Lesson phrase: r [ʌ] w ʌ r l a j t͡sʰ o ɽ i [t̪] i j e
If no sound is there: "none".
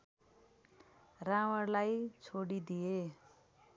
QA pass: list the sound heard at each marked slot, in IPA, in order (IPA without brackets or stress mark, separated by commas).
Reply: a, d̪